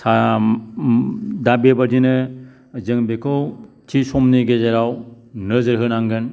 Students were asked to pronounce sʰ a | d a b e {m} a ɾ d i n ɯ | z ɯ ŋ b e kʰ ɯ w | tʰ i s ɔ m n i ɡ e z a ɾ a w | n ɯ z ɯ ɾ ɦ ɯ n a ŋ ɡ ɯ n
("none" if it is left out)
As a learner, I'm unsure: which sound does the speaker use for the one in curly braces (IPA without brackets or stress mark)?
b